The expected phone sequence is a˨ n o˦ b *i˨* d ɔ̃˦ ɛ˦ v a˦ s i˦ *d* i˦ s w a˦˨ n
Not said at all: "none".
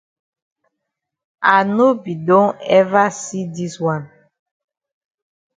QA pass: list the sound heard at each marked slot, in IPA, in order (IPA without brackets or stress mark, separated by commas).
i˨, d